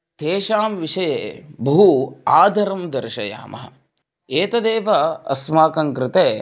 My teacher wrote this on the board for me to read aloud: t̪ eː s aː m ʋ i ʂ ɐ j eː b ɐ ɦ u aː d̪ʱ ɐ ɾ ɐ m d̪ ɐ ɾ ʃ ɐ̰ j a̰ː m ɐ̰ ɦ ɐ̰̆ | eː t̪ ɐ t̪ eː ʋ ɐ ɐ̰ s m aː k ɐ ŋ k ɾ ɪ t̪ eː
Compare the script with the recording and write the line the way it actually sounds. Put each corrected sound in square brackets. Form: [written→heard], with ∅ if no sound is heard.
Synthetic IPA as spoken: t̪ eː [s→ʃ] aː m ʋ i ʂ ɐ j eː b ɐ ɦ u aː d̪ʱ ɐ ɾ ɐ m d̪ ɐ ɾ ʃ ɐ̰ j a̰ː m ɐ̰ ɦ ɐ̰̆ | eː t̪ ɐ [t̪→d̪] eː ʋ ɐ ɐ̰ s m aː k ɐ ŋ k ɾ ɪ t̪ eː